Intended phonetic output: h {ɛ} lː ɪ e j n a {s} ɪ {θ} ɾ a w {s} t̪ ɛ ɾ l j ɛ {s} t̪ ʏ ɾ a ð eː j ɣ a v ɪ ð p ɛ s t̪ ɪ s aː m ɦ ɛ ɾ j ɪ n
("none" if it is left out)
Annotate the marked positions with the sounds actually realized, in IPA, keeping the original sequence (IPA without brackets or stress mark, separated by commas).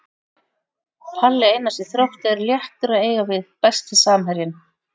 a, s, θ, h, h